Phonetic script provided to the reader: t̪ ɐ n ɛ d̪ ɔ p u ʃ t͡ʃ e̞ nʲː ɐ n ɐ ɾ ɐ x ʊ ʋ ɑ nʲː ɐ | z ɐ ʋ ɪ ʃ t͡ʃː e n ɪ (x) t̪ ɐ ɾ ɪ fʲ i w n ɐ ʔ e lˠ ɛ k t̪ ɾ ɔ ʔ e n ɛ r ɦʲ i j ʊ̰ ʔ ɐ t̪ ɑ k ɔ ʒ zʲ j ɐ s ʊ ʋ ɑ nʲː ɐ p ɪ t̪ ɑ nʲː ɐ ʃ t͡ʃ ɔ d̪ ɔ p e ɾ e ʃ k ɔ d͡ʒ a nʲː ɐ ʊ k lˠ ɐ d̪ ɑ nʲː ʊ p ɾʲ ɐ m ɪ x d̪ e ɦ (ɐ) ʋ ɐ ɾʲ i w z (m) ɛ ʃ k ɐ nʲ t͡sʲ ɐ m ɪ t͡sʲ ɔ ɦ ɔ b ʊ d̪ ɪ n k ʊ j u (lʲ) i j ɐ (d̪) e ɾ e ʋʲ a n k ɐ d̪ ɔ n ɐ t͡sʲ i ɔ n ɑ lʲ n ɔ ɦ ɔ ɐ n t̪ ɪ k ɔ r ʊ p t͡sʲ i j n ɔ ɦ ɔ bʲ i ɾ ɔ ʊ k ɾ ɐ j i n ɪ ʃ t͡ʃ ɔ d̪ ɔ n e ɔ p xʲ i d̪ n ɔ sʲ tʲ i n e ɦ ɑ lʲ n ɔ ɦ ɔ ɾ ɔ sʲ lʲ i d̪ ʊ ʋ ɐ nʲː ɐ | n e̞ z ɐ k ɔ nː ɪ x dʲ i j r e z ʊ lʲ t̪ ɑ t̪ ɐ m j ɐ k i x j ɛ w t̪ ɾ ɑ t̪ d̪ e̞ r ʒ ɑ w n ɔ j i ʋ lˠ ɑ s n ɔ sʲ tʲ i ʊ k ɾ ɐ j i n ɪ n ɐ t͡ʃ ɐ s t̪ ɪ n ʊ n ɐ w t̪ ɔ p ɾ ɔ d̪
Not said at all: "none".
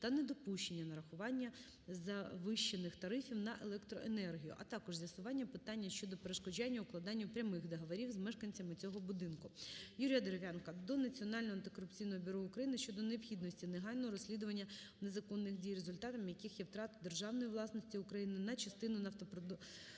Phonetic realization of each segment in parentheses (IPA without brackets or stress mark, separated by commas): x, ɐ, m, ɾʲ, d̪